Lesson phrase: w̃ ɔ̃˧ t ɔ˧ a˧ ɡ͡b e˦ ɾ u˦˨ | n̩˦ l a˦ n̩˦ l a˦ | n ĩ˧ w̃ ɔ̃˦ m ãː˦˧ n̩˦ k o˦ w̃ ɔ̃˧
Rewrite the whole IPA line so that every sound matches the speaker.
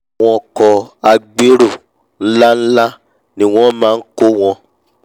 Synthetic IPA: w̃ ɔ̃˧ k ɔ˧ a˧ ɡ͡b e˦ ɾ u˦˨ | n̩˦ l a˦ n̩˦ l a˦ | n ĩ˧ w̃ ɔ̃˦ m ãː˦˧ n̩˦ k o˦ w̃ ɔ̃˧

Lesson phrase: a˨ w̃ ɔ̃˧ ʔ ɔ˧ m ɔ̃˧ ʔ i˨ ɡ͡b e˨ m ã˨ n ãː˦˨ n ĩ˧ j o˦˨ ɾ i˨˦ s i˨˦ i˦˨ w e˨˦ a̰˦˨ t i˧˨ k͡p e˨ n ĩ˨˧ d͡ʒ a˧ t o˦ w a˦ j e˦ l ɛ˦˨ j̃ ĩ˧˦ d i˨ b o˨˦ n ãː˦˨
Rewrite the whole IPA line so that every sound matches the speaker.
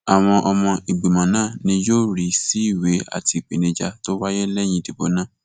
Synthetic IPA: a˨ w̃ ɔ̃˧ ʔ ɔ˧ m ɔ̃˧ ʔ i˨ ɡ͡b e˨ m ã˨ n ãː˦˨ n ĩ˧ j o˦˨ ɾ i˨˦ s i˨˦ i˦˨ w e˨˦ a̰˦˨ t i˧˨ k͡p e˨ n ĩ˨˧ d͡ʒ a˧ t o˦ w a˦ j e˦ l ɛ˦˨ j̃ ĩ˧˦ d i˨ b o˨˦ n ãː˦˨

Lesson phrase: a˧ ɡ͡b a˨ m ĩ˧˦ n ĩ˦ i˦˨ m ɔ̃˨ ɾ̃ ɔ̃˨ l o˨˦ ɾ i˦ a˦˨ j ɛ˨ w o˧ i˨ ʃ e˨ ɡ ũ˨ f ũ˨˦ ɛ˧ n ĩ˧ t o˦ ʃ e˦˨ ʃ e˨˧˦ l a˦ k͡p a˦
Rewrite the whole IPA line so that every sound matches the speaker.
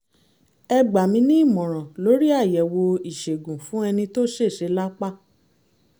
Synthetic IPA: ɛ˧ ɡ͡b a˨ m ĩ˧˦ n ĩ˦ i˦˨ m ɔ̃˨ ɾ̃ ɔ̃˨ l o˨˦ ɾ i˦ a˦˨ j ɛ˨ w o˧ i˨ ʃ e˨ ɡ ũ˨ f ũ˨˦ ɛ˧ n ĩ˧ t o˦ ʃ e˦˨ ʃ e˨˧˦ l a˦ k͡p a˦

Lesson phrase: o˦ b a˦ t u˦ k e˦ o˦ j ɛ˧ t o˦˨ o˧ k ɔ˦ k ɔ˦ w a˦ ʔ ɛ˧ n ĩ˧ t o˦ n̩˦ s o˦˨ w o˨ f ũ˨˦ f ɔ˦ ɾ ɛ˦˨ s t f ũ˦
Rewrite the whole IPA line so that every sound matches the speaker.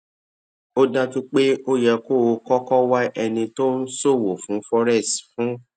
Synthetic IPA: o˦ d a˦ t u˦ k͡p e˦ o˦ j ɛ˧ k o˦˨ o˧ k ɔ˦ k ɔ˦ w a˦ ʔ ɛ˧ n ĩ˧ t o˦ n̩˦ s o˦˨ w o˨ f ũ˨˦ f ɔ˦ ɾ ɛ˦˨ s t f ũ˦

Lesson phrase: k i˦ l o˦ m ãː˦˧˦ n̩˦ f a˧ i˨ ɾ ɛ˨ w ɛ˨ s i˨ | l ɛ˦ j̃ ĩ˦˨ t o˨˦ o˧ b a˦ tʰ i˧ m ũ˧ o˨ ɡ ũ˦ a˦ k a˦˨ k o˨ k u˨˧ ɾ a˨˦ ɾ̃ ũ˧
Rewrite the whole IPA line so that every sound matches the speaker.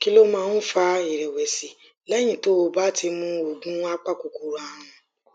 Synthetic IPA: k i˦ l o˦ m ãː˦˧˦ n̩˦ f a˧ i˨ ɾ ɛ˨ w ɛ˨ s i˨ | l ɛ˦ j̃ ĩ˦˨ t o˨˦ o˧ b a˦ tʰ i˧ m ũ˧ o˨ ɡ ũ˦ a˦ k͡p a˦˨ k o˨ k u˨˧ ɾ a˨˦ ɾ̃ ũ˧

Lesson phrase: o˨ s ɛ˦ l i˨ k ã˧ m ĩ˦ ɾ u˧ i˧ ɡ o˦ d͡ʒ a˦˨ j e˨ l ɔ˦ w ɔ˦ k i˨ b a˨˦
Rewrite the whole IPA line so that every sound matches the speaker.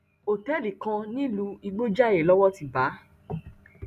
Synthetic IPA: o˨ t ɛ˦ l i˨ k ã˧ n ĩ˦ l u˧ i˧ ɡ͡b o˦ d͡ʒ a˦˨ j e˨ l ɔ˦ w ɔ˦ t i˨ b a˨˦

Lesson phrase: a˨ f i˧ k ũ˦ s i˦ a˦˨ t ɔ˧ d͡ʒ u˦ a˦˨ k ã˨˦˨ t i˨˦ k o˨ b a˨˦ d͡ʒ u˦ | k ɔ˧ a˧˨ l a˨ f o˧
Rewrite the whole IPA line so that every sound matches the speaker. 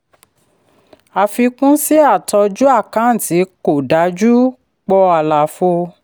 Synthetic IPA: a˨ f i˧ k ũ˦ s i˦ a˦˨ t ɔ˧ d͡ʒ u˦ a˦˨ k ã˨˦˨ t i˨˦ k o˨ d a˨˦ d͡ʒ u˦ | k͡p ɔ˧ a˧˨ l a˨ f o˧

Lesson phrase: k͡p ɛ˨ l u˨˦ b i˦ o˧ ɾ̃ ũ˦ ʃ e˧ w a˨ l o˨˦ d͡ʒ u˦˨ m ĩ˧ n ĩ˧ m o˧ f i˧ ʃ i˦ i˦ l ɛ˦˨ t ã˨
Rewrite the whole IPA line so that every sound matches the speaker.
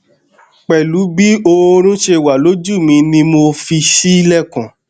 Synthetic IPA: k͡p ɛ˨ l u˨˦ b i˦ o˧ ɾ̃ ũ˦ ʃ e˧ w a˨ l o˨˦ d͡ʒ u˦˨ m ĩ˧ n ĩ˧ m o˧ f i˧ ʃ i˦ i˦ l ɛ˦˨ k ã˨

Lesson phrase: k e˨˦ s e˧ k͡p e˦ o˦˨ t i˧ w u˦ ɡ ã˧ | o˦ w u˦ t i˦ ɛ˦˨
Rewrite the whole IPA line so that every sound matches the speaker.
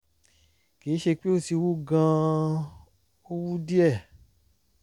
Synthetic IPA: k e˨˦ ʃ e˧ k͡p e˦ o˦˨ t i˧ w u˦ ɡ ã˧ | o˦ w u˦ d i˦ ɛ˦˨

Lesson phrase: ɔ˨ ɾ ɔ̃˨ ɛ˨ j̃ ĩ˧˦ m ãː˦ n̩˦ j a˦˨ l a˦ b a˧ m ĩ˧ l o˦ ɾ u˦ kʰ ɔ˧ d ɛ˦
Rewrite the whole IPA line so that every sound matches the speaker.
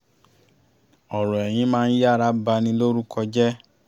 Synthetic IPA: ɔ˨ ɾ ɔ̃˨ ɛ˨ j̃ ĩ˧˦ m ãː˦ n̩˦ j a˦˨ ɾ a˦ b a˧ n ĩ˧ l o˦ ɾ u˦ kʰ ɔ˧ d͡ʒ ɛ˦

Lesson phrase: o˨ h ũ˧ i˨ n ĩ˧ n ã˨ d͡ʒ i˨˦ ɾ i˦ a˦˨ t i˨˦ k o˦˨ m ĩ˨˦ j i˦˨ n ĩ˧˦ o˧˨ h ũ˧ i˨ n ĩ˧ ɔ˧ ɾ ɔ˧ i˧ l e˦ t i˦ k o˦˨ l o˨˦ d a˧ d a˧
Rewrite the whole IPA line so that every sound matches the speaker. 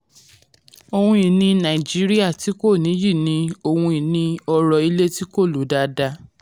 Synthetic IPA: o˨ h ũ˧ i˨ n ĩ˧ n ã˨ d͡ʒ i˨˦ ɾ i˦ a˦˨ t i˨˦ k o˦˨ n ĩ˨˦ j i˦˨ n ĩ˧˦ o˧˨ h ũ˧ i˨ n ĩ˧ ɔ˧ ɾ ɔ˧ i˧ l e˦ t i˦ k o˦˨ l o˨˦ d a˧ d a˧

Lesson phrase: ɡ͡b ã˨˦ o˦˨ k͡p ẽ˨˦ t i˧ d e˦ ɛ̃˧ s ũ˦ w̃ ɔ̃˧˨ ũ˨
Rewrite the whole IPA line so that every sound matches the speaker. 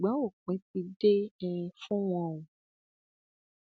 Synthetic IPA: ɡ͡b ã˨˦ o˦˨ k͡p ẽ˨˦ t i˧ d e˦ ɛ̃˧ f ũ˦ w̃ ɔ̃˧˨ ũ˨

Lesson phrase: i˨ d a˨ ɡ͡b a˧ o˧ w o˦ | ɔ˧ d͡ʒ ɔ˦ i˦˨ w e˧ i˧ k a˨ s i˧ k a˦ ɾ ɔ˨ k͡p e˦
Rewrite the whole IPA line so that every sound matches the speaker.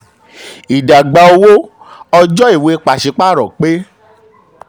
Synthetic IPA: i˨ d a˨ ɡ͡b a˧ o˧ w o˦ | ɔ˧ d͡ʒ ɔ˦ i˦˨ w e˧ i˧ k͡p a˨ ʃ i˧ k͡p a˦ ɾ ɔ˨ k͡p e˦

